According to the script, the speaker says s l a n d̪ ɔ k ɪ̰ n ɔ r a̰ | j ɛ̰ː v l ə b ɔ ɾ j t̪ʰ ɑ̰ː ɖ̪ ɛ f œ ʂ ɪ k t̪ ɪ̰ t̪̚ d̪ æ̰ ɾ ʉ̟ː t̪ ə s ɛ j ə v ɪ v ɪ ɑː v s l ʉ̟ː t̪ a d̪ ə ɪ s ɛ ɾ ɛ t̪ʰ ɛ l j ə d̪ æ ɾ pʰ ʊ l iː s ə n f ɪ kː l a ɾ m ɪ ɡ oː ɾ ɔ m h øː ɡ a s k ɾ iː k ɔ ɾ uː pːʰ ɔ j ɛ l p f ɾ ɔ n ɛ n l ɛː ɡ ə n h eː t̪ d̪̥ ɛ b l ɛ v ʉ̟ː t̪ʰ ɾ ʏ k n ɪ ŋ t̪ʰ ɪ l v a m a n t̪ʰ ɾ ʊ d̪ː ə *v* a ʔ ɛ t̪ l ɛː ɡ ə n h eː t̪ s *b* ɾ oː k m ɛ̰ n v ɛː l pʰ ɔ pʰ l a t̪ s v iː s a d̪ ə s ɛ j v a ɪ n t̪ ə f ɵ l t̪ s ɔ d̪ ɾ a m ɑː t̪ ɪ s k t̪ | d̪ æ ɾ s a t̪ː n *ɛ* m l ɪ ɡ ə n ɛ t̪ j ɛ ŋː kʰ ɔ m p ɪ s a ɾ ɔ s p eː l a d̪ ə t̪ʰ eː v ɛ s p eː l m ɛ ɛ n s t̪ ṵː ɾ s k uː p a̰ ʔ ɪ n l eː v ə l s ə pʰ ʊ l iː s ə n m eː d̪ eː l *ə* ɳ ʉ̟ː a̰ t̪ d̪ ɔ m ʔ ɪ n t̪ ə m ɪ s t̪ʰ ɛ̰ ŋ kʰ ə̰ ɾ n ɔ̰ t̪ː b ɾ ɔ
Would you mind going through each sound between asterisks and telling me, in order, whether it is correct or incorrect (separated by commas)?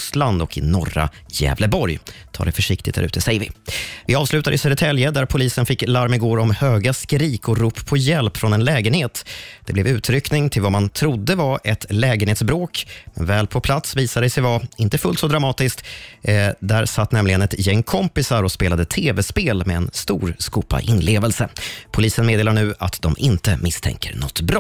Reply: correct, correct, correct, incorrect